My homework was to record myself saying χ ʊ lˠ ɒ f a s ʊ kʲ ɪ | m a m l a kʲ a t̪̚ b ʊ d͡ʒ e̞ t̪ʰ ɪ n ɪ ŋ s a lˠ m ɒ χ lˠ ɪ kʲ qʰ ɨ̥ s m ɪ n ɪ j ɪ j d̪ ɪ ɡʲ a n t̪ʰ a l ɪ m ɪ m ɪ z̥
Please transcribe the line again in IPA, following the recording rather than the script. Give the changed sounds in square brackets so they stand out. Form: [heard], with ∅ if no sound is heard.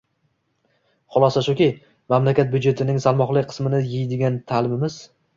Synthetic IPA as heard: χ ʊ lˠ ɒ [s] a [ʃ] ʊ kʲ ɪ | m a m l a kʲ a t̪̚ b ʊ d͡ʒ e̞ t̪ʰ ɪ n ɪ ŋ s a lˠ m ɒ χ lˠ ɪ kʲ qʰ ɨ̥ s m ɪ n ɪ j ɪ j d̪ ɪ ɡʲ a n t̪ʰ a l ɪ m ɪ m ɪ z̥